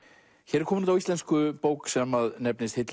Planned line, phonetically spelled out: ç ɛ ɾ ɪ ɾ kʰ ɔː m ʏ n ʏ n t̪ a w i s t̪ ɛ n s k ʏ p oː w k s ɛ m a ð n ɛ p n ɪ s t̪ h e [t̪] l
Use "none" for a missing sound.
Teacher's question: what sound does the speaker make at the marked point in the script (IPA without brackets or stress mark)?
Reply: t̪